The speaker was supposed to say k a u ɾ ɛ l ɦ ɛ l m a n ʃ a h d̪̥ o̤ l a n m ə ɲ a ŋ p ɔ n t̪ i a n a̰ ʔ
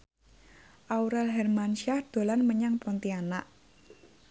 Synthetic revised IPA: ʔ a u ɾ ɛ l ɦ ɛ r m a n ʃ a h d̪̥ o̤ l a n m ə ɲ a ŋ p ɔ n t̪ i a n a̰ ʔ